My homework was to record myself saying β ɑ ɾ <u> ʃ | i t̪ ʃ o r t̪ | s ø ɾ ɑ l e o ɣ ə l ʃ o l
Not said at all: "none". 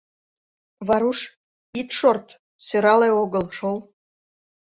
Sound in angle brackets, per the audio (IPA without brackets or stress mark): u